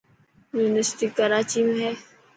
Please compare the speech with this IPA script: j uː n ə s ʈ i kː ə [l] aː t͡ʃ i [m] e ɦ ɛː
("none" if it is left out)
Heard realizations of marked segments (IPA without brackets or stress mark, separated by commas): ɾ, m